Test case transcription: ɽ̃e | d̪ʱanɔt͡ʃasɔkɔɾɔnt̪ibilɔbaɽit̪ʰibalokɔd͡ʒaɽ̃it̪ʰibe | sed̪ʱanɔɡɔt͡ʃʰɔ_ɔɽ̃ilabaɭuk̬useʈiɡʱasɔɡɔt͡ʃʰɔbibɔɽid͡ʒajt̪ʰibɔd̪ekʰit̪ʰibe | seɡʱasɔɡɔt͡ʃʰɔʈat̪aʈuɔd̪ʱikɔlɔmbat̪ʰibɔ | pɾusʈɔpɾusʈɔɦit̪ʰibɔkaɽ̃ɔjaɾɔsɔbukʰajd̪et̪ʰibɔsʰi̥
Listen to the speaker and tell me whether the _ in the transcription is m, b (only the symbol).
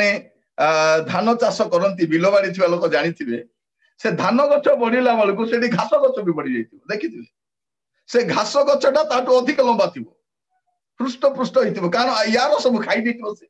b